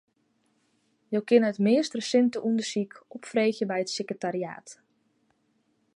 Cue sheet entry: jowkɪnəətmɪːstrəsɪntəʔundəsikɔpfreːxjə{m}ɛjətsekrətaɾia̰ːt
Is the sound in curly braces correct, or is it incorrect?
incorrect